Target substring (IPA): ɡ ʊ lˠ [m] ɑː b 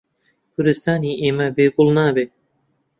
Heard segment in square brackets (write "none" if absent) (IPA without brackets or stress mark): n